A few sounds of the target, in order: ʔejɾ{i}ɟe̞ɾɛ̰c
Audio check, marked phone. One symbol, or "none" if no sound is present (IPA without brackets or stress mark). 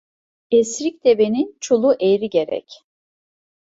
i